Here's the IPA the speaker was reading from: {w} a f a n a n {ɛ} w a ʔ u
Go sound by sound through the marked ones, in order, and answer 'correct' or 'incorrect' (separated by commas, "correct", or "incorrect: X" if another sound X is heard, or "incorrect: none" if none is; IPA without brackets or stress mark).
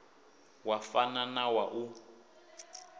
correct, incorrect: a